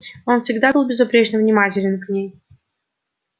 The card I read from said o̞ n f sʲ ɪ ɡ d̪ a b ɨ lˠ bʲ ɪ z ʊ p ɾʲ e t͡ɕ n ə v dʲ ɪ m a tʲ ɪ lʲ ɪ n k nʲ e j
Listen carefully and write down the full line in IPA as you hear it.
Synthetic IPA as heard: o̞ n f sʲ ɪ ɡ d̪ a b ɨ lˠ bʲ ɪ z ʊ p ɾʲ e t͡ɕ n ə v nʲ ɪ m a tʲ ɪ lʲ ɪ n k nʲ e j